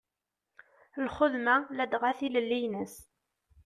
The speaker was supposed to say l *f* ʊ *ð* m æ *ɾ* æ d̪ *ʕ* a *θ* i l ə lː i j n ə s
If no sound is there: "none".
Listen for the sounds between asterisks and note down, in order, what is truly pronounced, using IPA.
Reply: χ, ð, l, ʁ, θ

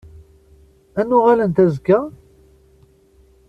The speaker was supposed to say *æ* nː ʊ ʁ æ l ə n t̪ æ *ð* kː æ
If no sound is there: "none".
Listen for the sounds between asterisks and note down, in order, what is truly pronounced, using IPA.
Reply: æ, z

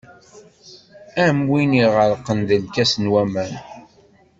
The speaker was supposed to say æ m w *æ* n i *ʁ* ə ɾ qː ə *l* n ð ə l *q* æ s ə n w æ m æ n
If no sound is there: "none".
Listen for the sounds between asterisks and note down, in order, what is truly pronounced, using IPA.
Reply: i, ʁ, none, k

